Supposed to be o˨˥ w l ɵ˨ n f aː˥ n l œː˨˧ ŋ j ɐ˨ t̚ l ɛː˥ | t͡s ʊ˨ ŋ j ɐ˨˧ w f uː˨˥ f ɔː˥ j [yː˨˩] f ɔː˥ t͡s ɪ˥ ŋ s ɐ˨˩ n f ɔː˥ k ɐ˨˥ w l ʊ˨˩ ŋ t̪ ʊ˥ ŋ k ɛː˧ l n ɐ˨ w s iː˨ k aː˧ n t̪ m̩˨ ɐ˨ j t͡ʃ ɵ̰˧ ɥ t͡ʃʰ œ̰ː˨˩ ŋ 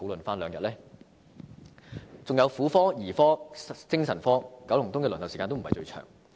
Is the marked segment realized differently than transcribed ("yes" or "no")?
yes